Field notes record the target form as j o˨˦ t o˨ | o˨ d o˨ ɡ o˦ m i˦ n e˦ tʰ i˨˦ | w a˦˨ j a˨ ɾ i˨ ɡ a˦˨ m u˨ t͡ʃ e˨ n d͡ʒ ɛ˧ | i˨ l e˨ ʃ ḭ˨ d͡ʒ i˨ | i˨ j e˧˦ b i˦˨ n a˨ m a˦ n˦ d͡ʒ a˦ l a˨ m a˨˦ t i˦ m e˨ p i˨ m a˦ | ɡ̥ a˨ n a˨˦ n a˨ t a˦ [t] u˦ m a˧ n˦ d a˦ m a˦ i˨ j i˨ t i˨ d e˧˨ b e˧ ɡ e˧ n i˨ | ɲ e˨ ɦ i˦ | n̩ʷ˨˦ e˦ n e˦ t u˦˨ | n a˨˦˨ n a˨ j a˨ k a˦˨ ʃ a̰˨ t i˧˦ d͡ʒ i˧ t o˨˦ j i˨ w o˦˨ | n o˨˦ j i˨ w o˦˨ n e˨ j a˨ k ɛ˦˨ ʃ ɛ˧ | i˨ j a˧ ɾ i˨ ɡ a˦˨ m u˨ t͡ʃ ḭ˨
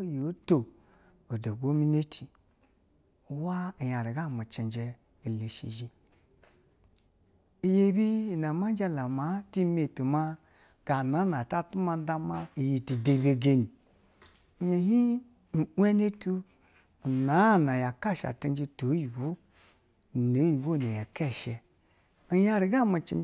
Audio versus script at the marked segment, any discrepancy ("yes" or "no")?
no